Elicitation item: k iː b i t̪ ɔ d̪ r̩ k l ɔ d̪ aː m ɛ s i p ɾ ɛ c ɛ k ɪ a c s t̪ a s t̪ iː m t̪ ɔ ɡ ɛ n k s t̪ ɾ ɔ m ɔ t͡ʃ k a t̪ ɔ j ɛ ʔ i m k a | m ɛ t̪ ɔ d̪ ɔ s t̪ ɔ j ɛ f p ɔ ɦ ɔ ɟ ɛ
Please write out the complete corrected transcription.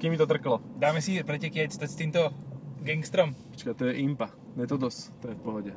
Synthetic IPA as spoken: k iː m i t̪ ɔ t̪ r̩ k l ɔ d̪ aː m ɛ s i p ɾ ɛ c ɛ k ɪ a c s t̪ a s t̪ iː m t̪ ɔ ɡ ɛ ŋ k s t̪ ɾ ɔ m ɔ t͡ʃ k a t̪ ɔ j ɛ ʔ i m p a | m ɛ t̪ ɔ d̪ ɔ s t̪ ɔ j ɛ f p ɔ ɦ ɔ ɟ ɛ